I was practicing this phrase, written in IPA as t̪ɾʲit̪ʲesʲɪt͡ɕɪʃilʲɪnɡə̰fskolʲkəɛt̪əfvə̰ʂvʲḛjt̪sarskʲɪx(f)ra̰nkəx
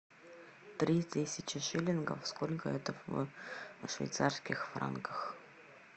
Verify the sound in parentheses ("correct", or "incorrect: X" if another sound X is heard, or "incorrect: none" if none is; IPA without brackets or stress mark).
correct